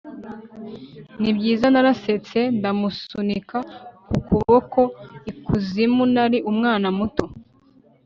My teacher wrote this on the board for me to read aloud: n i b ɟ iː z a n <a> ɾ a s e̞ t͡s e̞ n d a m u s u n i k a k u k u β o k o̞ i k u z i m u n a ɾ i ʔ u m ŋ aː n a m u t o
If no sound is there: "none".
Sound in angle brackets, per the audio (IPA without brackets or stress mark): a